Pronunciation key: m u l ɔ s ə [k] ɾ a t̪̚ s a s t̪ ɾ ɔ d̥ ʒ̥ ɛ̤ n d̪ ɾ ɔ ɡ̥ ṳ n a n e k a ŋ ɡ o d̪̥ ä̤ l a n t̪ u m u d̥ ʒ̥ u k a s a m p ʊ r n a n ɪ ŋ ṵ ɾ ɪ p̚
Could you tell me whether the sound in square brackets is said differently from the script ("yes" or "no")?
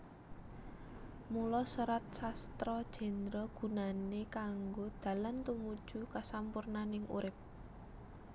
yes